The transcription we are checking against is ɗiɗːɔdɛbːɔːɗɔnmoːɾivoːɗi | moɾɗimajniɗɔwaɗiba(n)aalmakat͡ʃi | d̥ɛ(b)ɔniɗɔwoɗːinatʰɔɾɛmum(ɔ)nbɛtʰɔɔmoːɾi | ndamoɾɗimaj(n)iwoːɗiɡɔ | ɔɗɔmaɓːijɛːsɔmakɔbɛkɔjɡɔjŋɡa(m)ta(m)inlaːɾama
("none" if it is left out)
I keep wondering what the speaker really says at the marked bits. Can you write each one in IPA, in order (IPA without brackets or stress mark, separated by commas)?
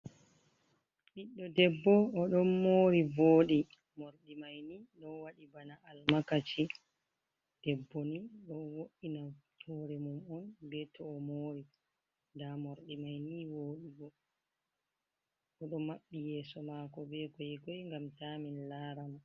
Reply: n, bː, ɔ, n, m, m